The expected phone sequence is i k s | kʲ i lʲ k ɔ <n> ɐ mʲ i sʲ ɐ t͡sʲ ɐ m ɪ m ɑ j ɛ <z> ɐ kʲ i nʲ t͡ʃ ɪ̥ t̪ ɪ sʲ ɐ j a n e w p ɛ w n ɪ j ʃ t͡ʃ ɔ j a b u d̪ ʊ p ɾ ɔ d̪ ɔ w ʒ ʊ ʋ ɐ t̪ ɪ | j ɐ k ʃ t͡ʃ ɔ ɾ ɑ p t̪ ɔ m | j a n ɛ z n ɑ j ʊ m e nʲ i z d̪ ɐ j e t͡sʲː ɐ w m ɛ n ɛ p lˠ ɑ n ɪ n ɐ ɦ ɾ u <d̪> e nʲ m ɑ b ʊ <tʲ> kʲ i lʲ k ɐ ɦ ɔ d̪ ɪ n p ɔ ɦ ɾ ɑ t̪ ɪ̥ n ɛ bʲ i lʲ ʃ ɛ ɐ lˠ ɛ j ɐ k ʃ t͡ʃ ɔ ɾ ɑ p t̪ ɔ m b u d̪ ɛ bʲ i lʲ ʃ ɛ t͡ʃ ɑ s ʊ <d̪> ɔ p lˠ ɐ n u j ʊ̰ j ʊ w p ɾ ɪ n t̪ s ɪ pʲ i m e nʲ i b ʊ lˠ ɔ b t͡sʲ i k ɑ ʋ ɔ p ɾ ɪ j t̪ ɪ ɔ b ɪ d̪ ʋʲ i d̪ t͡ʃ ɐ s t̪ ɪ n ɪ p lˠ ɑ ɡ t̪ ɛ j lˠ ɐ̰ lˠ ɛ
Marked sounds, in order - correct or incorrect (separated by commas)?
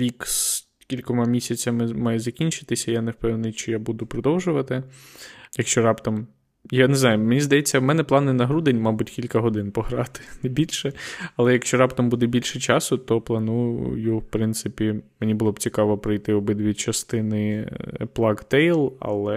incorrect, correct, correct, correct, incorrect